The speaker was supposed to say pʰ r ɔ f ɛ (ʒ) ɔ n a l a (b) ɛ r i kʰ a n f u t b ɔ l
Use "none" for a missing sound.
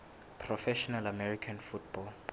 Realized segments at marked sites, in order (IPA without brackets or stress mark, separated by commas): ʃ, m